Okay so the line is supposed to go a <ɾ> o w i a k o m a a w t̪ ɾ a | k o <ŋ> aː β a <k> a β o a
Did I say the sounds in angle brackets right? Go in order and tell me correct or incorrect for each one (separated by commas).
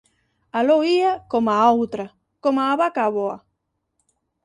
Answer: incorrect, incorrect, correct